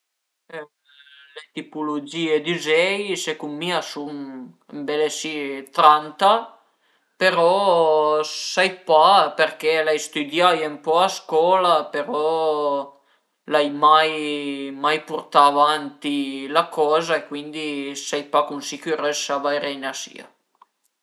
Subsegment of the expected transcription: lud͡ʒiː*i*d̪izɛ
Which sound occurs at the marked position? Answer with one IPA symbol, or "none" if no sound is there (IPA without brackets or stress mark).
e